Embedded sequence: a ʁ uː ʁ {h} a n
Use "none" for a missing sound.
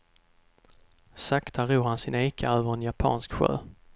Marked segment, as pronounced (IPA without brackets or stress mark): h